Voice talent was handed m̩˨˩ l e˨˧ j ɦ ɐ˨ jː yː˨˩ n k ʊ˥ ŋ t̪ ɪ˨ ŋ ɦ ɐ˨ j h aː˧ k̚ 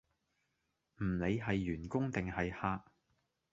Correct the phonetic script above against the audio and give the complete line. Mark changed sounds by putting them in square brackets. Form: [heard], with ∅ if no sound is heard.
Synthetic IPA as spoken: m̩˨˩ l e˨˧ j ɦ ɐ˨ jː yː˨˩ n k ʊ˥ ŋ t̪ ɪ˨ ŋ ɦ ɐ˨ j h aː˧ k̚